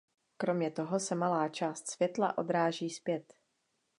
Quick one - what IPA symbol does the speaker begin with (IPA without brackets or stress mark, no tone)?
k